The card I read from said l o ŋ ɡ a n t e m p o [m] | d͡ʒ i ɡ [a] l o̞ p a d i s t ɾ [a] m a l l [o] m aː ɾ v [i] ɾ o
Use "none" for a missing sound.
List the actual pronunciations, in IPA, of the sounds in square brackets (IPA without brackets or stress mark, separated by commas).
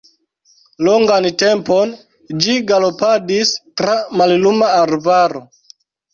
n, a, a, u, a